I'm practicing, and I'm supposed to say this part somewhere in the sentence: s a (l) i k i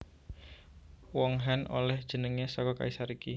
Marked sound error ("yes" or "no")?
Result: yes